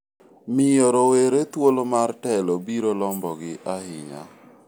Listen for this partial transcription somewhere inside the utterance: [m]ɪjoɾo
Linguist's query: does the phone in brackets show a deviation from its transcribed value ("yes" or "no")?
no